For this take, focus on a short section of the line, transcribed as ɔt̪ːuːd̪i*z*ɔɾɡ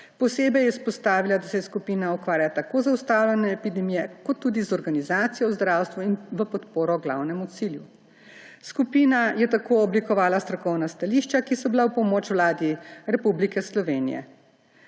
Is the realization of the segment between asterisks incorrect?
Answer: no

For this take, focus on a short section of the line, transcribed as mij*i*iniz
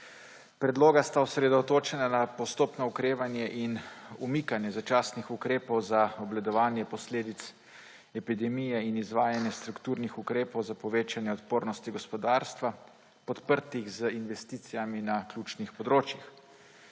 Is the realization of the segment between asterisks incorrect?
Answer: yes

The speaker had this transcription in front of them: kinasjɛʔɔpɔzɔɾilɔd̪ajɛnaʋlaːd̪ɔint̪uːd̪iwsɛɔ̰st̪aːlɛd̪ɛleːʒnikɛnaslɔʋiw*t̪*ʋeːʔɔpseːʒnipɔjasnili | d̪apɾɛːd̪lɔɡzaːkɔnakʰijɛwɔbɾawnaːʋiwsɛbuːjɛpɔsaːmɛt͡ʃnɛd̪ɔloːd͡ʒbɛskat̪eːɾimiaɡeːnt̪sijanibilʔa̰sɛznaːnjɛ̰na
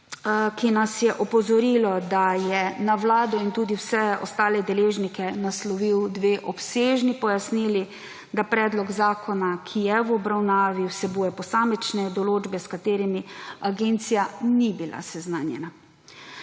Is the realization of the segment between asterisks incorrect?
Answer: yes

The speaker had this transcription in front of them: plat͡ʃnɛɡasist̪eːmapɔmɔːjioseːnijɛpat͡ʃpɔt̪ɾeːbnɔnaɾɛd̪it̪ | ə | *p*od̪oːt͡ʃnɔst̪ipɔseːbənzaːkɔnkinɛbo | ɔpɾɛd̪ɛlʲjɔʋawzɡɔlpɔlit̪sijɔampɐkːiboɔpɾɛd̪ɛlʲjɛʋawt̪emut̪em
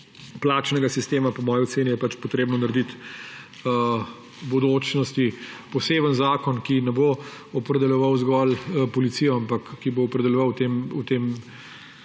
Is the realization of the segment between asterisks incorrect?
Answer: yes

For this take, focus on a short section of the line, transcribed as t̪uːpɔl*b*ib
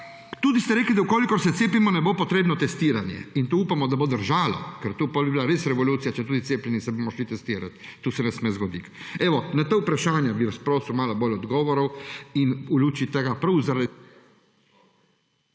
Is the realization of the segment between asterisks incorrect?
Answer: no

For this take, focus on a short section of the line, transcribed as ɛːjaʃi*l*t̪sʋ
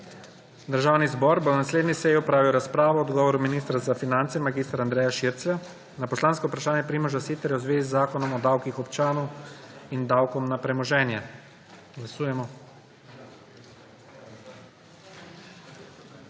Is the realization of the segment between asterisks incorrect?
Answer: yes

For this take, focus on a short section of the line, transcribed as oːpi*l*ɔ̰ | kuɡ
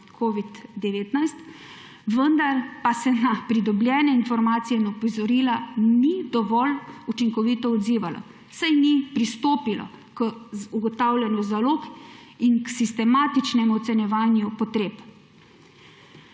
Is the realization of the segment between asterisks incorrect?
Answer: no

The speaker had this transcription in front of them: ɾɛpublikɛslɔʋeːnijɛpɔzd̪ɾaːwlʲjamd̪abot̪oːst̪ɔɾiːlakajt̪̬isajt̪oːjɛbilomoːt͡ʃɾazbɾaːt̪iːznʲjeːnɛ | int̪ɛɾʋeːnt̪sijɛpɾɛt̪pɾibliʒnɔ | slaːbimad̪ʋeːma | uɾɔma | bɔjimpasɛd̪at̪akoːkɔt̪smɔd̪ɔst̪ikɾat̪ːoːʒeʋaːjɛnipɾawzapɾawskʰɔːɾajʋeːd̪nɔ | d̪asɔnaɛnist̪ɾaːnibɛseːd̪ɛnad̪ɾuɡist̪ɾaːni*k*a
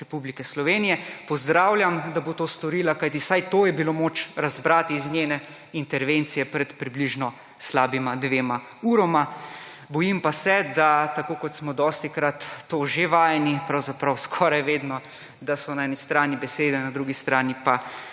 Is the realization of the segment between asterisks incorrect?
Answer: yes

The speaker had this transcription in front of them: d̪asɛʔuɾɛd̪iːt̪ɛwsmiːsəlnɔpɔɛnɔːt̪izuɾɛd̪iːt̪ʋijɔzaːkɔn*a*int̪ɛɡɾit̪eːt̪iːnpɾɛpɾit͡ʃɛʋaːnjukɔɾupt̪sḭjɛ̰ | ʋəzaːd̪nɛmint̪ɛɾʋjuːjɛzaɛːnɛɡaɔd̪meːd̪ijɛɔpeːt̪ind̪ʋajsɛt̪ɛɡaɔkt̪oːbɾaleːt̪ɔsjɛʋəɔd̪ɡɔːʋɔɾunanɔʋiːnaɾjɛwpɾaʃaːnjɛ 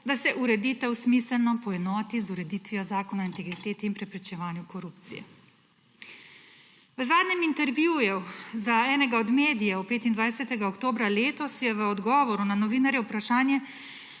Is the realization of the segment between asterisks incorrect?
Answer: no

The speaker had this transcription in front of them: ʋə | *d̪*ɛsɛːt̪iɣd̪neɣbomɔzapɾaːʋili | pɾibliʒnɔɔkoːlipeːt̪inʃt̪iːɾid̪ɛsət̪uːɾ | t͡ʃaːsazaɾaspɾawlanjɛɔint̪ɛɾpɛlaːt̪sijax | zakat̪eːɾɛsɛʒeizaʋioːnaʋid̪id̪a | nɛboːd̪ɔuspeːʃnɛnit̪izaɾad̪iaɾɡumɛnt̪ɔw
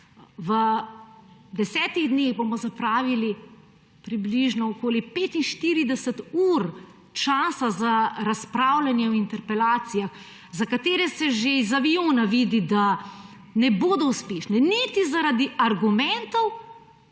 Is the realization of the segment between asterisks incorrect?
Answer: no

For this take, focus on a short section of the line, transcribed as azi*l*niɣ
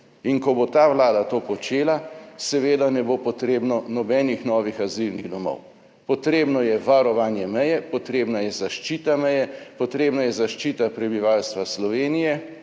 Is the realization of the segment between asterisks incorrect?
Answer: no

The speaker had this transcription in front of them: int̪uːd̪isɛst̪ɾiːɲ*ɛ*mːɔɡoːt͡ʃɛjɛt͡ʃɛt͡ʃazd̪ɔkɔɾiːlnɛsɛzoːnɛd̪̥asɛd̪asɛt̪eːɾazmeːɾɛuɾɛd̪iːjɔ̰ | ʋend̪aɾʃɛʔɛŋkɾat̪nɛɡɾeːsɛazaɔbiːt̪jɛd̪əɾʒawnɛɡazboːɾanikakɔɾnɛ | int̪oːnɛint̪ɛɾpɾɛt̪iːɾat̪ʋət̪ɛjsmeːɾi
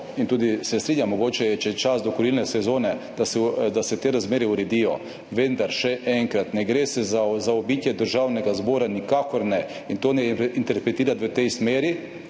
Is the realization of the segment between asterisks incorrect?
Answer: yes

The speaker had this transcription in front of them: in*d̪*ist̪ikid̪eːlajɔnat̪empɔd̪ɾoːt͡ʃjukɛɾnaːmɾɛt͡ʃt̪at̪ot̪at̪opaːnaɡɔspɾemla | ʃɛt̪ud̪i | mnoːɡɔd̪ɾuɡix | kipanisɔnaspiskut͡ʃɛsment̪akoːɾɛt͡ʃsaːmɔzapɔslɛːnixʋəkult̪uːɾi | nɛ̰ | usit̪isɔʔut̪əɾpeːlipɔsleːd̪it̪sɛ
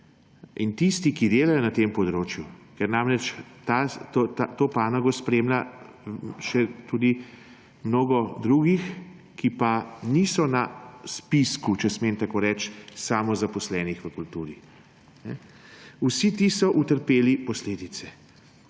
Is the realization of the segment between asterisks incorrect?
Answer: yes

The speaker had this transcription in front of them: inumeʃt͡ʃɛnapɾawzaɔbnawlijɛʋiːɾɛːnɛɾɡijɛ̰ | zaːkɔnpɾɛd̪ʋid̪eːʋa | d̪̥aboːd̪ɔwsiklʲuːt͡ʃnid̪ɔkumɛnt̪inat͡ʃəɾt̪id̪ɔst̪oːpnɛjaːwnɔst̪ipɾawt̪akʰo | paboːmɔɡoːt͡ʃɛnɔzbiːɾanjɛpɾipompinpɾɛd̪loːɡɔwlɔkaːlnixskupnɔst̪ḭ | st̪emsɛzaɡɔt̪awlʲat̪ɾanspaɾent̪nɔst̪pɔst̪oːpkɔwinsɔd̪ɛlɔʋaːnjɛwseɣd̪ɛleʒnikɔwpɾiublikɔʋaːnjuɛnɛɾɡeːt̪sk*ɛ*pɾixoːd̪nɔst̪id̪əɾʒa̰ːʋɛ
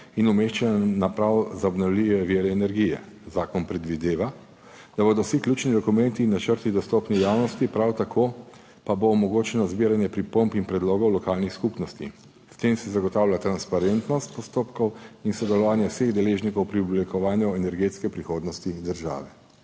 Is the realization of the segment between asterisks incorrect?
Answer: no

